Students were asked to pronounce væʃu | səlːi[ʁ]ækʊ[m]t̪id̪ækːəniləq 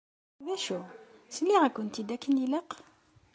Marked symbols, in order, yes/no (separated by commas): yes, no